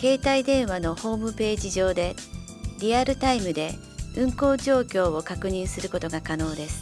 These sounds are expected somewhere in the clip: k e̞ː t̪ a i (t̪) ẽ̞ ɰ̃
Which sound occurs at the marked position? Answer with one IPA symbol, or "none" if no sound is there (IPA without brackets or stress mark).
d̪